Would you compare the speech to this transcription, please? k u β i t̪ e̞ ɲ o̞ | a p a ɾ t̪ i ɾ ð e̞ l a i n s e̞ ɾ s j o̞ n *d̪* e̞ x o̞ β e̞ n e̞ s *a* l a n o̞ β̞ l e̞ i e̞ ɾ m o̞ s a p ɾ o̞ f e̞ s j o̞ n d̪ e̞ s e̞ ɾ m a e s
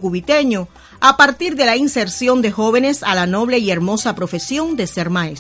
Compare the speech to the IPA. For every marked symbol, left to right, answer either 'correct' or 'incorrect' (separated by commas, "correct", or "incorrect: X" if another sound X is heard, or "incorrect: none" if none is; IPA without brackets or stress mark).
correct, correct